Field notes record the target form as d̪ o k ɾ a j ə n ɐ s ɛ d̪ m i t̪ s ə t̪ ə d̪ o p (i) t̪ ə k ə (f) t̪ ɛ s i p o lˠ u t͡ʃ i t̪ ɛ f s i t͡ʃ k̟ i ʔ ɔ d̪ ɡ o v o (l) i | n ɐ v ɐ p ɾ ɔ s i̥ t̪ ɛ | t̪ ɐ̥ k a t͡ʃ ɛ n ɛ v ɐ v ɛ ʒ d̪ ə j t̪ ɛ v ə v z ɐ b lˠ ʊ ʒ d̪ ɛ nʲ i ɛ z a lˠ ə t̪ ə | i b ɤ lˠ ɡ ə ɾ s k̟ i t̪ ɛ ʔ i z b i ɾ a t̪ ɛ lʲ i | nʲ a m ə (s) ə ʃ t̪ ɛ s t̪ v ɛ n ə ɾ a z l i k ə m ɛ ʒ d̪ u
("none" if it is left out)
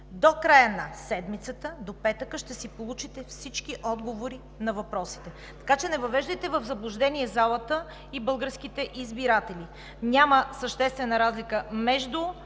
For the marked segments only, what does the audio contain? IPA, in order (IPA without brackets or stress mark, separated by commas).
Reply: ɛ, ʃ, ɾ, s